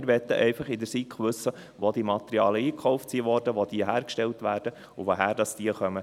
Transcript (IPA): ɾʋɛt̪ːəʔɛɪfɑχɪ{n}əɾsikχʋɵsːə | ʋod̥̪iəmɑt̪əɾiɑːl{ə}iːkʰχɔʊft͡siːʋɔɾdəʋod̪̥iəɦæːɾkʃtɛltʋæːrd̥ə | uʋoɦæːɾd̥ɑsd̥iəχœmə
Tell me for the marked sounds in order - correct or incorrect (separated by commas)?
incorrect, correct